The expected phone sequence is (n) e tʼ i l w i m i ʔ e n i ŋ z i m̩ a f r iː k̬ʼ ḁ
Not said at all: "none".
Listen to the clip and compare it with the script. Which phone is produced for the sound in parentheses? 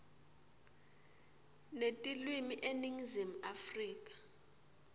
n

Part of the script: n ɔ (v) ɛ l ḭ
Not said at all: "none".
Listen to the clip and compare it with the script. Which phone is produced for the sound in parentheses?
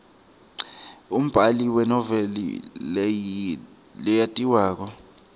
v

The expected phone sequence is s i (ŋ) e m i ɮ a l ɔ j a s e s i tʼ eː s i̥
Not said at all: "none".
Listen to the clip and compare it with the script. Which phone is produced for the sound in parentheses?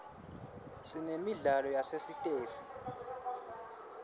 n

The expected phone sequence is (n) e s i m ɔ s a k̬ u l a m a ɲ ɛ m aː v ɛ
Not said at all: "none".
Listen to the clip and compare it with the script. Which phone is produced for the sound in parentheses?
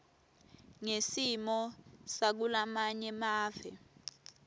ŋ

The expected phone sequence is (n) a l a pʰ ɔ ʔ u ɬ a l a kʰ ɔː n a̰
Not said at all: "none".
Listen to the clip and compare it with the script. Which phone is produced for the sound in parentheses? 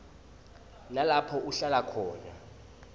n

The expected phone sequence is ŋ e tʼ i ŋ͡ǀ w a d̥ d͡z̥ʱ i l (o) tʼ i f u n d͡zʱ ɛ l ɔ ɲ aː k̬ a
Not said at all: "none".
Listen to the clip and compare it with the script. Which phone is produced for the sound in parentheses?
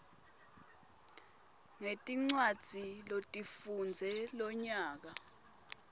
o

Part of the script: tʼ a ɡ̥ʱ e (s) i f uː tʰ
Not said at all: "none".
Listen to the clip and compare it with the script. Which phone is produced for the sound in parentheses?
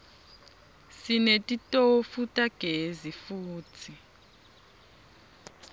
z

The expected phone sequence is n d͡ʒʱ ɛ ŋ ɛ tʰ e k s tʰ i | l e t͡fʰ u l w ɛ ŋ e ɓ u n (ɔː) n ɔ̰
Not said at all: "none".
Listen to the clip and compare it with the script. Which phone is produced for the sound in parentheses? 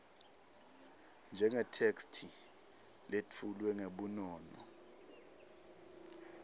ɔː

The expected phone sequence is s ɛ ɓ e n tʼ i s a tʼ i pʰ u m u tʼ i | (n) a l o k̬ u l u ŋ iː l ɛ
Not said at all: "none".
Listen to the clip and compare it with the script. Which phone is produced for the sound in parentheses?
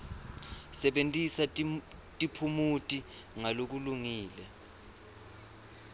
ŋ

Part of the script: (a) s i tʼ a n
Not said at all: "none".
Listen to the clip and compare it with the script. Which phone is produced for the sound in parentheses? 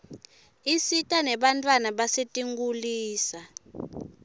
i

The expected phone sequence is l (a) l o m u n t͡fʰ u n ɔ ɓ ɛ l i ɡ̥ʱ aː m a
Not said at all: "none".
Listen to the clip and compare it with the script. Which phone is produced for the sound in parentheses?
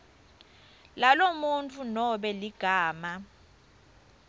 a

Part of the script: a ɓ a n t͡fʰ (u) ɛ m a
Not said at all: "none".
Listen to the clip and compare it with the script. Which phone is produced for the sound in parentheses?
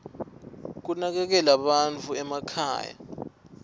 u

